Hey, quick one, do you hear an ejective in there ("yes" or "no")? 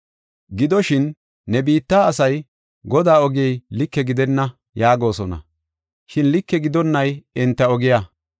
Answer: no